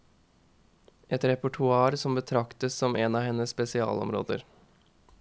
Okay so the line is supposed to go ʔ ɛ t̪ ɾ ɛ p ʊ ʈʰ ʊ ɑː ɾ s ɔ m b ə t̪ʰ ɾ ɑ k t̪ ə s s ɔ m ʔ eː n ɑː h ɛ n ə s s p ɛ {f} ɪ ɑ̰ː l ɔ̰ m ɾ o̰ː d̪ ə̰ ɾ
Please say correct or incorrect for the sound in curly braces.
incorrect